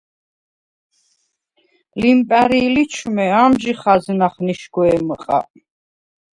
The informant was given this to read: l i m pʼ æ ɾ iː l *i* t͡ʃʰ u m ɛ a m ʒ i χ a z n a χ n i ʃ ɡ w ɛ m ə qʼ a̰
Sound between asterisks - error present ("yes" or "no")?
no